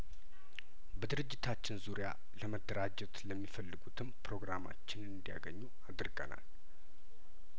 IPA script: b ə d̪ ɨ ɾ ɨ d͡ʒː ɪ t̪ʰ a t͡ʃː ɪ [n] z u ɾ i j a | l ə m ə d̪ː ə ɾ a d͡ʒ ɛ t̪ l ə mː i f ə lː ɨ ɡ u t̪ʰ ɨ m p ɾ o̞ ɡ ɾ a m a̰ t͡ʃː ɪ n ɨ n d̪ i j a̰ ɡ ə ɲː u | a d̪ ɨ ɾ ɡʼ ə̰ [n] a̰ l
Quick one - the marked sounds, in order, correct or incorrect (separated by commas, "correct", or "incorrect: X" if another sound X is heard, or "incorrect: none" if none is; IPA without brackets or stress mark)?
correct, correct